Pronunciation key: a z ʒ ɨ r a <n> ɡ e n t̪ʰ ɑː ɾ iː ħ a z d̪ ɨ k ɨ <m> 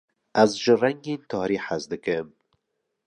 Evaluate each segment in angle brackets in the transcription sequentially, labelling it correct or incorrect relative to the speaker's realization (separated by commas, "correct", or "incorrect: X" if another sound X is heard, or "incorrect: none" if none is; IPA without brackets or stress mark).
incorrect: ŋ, correct